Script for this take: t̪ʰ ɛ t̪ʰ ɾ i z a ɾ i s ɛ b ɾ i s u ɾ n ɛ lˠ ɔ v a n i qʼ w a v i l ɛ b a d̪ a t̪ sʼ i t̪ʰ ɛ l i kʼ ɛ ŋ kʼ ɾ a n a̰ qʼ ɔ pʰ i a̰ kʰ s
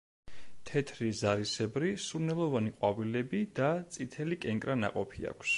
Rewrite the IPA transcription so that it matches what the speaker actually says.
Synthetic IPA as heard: t̪ʰ ɛ t̪ʰ ɾ i z a ɾ i s ɛ b ɾ i s u ɾ n ɛ lˠ ɔ v a n i qʼ w a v i l ɛ b i d̪ a t̪ sʼ i t̪ʰ ɛ l i kʼ ɛ ŋ kʼ ɾ a n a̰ qʼ ɔ pʰ i a̰ kʰ s